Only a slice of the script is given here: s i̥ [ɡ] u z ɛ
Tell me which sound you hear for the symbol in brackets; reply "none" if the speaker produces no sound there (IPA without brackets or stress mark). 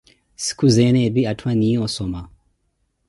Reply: k